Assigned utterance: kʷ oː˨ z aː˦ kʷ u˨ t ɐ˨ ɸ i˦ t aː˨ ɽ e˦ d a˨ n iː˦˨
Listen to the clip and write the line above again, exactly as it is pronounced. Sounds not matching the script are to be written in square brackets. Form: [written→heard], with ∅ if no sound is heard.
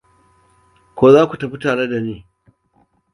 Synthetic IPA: kʷ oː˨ z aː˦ kʷ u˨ t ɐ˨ ɸ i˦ t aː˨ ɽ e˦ d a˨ n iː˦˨